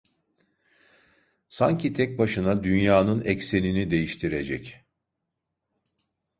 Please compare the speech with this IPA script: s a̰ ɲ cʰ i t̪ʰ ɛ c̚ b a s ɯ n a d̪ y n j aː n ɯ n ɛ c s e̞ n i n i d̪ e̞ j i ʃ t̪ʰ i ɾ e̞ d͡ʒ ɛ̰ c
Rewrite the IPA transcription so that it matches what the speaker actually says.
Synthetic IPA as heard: s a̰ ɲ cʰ i t̪ʰ ɛ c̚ b a ʃ ɯ n a d̪ y n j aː n ɯ n ɛ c s e̞ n i n i d̪ e̞ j i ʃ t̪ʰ i ɾ e̞ d͡ʒ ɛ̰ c